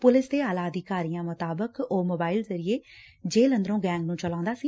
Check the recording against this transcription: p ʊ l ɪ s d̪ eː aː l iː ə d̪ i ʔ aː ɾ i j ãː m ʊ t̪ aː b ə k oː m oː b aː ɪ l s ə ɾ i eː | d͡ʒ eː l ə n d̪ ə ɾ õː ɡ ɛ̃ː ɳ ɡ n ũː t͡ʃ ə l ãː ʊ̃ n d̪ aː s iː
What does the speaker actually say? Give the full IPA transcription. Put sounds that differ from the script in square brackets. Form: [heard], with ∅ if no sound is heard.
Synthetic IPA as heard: p ʊ l ɪ s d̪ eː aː l [aː] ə d̪ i [k] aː ɾ i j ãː m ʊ t̪ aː b ə k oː m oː b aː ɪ l [z] ə ɾ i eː | d͡ʒ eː l ə n d̪ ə ɾ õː ɡ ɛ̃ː [ŋ] ɡ n ũː t͡ʃ ə l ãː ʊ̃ n d̪ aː s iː